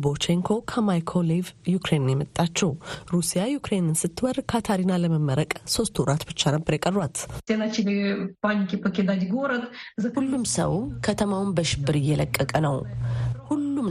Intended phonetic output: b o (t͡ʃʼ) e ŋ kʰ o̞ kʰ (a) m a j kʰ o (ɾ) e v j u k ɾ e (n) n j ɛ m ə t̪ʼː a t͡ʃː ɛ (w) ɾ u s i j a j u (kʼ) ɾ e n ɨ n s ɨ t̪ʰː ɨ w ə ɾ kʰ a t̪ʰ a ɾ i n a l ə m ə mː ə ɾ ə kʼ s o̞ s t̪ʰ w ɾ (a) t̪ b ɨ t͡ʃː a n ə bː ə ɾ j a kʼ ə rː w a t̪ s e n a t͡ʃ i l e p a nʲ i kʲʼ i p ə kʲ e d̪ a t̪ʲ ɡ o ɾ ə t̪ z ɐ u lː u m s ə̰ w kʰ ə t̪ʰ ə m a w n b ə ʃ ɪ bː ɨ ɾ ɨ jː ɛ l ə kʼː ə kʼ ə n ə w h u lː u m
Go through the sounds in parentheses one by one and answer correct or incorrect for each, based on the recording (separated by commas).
incorrect, incorrect, incorrect, correct, correct, incorrect, correct